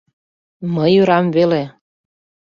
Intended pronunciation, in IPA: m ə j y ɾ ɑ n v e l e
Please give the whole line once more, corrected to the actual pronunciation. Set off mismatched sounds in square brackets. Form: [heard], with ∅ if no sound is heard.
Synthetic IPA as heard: m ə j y ɾ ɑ [m] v e l e